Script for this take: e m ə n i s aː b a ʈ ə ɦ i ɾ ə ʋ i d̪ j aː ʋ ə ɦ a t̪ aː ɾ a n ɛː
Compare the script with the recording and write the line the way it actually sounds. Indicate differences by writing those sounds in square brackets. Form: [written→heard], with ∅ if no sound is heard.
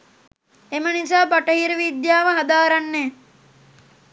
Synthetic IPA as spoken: e m ə n i s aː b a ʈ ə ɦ i ɾ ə ʋ i d̪ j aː ʋ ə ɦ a [t̪→d̪] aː ɾ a [n→nː] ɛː